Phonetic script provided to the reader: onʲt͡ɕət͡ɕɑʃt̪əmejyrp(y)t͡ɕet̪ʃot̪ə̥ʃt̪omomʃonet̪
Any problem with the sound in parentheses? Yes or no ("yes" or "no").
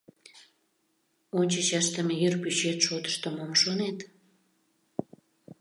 no